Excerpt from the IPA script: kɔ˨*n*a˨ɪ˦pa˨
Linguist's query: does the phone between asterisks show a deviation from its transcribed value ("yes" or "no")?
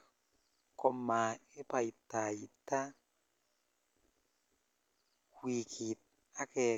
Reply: yes